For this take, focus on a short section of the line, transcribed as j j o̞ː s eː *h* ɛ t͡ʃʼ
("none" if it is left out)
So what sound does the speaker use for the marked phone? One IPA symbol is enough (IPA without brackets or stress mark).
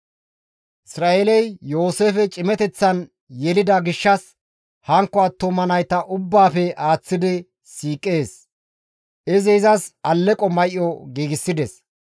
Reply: f